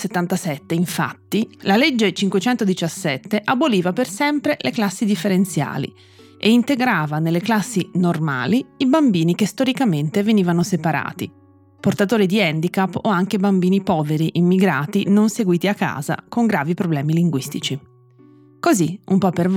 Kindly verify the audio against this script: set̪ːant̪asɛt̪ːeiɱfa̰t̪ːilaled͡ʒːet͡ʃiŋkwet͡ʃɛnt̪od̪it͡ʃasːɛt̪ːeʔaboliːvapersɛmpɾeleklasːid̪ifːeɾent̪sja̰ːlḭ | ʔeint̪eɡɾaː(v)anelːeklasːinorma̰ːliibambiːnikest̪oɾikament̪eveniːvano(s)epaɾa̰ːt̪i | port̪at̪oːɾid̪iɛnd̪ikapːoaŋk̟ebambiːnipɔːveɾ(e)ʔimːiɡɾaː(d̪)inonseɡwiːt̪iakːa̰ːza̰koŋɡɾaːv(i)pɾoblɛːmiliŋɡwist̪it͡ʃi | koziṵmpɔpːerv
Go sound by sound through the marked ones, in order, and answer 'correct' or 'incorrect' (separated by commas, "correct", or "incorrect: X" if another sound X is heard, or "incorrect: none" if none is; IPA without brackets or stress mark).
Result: correct, correct, incorrect: i, incorrect: t̪, correct